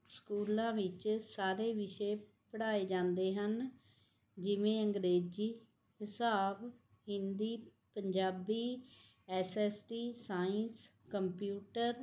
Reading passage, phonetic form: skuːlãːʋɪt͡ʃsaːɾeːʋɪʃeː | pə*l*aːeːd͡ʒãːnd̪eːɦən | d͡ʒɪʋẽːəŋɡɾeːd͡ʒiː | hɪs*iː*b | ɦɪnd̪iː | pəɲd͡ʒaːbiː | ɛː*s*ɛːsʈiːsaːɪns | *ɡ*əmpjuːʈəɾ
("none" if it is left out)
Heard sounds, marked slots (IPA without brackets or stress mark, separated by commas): ɽ, aː, s, k